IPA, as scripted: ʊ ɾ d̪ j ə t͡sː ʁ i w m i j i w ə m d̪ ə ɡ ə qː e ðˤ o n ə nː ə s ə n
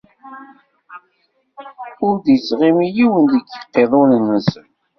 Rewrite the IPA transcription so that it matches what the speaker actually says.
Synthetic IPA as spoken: ʊ ɾ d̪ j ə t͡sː ʁ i m i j i w ə n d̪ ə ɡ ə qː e ðˤ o n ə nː ə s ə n

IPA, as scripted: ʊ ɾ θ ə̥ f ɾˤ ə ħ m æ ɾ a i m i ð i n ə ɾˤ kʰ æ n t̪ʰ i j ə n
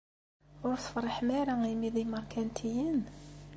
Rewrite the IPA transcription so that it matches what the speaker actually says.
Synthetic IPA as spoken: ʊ ɾ θ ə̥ f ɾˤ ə ħ m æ ɾ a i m i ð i m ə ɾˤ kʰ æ n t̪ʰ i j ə n

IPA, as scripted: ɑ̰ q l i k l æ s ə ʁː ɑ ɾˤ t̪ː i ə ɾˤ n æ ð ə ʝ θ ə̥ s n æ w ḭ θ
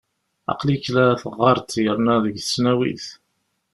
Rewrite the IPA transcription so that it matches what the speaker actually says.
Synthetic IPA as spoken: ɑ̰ q l i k l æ θ ə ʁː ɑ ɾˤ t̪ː j ə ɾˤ n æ ð ə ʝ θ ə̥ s n æ w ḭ θ

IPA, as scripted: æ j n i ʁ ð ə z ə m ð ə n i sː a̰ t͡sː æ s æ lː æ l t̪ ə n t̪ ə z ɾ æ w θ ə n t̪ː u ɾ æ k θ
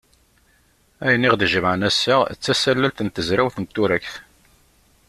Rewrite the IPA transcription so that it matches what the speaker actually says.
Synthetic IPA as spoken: æ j n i ʁ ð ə ʒ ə m ʕ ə n æ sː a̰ t͡sː æ s æ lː æ l t̪ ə n t̪ ə z ɾ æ w θ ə n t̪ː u ɾ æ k θ

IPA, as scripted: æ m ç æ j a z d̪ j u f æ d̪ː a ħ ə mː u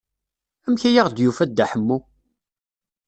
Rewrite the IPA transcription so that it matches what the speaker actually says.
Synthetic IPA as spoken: æ m ç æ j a ʁ d̪ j u f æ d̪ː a ħ ə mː u

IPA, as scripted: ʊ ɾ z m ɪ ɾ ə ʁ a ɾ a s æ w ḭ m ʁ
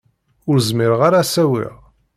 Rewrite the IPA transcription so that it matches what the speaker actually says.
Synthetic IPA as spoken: ʊ ɾ z m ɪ ɾ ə ʁ a ɾ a s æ w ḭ ʁ

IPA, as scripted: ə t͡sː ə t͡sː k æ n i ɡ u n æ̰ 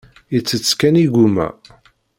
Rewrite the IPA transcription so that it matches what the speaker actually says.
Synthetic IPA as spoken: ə t͡sː ə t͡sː k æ n i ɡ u m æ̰

